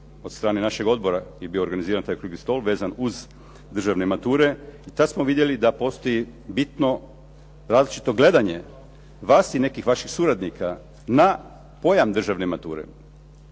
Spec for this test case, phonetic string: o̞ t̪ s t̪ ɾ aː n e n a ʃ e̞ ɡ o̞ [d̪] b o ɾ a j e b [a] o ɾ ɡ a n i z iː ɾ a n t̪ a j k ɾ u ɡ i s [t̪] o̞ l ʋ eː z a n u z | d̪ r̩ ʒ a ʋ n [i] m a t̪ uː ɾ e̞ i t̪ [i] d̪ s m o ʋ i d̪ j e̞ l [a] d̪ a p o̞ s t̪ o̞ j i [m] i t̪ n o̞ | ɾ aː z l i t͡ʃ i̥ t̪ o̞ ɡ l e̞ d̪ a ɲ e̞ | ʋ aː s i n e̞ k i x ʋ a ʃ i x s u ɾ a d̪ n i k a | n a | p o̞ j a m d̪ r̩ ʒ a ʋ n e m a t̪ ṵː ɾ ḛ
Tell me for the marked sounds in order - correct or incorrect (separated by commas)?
correct, incorrect, correct, incorrect, incorrect, incorrect, incorrect